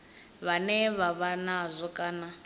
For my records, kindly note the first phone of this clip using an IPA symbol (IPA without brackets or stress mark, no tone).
β